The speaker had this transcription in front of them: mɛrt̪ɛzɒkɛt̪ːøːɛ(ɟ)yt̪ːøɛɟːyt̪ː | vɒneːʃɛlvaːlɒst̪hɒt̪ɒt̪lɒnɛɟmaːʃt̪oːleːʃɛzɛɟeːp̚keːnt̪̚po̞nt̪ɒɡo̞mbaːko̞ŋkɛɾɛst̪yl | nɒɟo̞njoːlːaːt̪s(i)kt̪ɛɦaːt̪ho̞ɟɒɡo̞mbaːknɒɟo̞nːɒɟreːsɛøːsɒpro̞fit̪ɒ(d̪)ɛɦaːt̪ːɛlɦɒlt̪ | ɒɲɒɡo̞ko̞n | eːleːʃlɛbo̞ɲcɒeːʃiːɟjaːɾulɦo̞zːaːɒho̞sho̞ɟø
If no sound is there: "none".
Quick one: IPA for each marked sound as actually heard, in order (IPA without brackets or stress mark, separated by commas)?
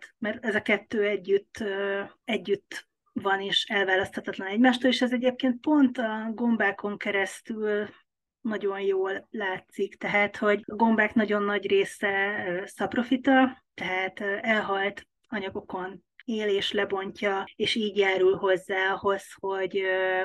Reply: ɟː, i, t̪